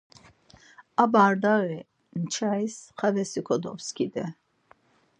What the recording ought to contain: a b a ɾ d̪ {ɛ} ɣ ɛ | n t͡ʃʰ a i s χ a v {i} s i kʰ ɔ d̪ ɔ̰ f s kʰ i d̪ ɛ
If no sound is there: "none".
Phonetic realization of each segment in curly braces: a, ɛ

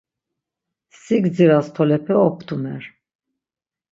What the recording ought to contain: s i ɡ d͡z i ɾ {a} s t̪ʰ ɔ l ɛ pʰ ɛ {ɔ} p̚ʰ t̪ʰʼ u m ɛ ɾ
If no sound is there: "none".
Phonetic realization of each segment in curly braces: a, ɔ

